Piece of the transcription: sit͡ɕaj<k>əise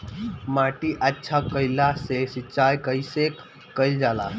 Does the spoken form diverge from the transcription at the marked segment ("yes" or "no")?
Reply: no